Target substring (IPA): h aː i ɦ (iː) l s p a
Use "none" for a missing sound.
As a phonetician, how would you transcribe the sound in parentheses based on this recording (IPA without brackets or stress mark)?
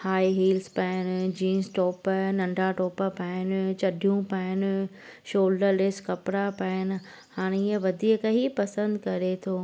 iː